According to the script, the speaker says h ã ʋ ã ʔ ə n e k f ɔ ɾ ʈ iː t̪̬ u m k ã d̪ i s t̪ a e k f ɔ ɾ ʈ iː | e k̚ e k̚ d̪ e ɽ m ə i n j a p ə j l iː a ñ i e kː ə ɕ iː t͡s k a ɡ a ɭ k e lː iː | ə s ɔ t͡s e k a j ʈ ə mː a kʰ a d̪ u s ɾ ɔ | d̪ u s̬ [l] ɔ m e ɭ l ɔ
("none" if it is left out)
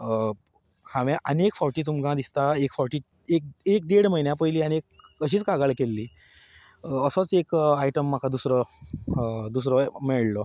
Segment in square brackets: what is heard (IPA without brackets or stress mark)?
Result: ɾ